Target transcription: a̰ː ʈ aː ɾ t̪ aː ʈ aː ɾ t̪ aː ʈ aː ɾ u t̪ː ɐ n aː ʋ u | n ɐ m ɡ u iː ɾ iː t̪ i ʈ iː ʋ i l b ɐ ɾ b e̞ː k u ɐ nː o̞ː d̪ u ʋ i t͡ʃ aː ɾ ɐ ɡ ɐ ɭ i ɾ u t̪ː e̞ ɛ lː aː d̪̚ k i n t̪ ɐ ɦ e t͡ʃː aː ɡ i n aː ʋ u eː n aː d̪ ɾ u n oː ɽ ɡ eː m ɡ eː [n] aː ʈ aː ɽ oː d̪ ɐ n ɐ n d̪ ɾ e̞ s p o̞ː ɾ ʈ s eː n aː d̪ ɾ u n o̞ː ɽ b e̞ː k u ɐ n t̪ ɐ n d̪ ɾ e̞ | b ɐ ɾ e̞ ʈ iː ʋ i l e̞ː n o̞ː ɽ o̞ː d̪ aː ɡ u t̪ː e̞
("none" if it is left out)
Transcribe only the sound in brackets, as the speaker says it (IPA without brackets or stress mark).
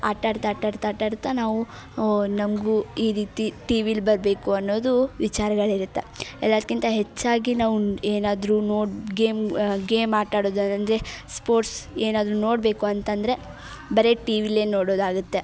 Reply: m